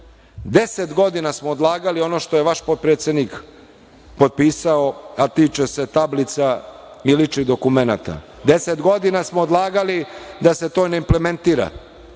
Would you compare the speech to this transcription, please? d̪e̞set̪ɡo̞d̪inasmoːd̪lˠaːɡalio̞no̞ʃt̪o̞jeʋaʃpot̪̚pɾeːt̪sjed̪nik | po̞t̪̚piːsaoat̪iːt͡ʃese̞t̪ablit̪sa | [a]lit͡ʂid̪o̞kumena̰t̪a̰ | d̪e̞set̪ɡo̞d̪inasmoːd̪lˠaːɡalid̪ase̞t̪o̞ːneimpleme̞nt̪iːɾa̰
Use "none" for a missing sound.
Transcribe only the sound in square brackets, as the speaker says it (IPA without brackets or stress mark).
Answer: i